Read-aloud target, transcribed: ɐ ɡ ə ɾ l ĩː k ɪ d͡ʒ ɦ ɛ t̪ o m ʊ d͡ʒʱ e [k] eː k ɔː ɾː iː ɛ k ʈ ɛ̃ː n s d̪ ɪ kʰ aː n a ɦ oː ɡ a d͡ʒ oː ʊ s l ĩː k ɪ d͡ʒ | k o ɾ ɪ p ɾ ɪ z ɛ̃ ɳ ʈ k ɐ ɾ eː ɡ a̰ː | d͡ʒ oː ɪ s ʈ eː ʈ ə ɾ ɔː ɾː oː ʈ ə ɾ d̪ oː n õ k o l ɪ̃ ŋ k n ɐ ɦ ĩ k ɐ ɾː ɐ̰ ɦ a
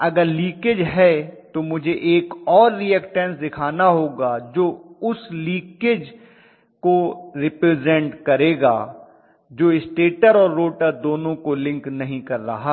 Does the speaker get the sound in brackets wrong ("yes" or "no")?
yes